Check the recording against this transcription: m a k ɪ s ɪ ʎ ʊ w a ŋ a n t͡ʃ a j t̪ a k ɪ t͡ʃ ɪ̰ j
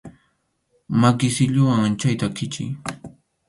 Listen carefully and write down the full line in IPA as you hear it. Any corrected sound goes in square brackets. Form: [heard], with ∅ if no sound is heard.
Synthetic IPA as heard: m a k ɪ s ɪ ʎ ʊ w a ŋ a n t͡ʃ a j t̪ a k ɪ t͡ʃ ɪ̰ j